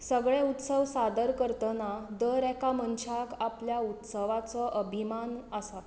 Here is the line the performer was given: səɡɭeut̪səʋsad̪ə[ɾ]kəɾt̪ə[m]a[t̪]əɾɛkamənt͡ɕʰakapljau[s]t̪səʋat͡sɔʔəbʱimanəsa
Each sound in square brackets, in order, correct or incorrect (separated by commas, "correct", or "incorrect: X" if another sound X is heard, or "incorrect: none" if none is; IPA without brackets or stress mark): correct, incorrect: n, incorrect: d̪, incorrect: none